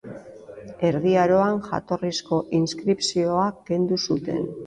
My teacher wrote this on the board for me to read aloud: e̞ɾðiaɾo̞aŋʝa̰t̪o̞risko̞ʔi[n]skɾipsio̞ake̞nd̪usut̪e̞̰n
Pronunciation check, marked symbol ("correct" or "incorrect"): correct